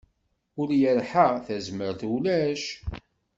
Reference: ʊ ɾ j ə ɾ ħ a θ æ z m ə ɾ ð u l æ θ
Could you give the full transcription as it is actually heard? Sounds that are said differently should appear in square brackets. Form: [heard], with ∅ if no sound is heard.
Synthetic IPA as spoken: ʊ ɾ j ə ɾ ħ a θ æ z m ə ɾ [θ] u l æ [ʃ]